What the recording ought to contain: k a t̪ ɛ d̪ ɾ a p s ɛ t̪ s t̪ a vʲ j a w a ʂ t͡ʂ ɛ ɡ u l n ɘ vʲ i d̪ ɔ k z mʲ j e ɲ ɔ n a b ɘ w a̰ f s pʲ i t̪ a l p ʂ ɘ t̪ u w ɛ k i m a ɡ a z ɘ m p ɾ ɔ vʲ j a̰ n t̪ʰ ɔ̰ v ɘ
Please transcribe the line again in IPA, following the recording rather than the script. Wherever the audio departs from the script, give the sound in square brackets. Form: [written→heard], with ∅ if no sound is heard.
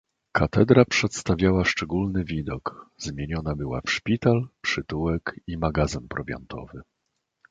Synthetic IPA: k a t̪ ɛ d̪ ɾ a p [s→ʂ] ɛ t̪ s t̪ a vʲ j a w a ʂ t͡ʂ ɛ ɡ u l n ɘ vʲ i d̪ ɔ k z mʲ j e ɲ ɔ n a b ɘ w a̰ f [s→ʂ] pʲ i t̪ a l p ʂ ɘ t̪ u w ɛ k i m a ɡ a z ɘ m p ɾ ɔ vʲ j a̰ n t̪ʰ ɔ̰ v ɘ